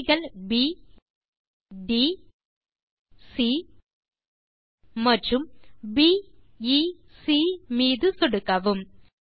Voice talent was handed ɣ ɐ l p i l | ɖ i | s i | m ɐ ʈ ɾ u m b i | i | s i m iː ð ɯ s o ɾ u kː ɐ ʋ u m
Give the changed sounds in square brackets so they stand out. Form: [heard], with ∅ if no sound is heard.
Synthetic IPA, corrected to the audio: ɣ ɐ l [b] i [∅] | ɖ i | s i | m ɐ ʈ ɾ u m b i | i | s i m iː ð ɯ s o [ɽ] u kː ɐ ʋ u m